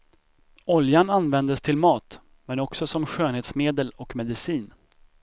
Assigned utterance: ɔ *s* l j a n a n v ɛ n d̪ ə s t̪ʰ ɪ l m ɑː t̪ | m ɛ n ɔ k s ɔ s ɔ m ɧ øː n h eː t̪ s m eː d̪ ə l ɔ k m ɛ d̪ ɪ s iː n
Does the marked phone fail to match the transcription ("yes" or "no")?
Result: yes